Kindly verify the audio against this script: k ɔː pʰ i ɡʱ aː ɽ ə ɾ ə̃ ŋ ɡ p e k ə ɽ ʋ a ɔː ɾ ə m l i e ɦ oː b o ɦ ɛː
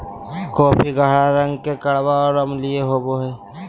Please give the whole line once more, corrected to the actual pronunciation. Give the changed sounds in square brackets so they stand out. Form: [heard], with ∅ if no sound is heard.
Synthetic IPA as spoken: k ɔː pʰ i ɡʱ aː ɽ [a] ɾ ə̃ ŋ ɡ [k] e k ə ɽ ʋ a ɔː ɾ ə m l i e ɦ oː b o ɦ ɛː